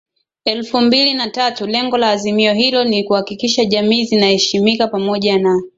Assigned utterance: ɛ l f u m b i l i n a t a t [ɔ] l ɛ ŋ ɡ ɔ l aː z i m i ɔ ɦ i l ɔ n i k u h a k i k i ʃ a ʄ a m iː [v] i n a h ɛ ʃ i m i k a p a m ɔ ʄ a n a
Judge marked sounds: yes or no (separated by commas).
no, no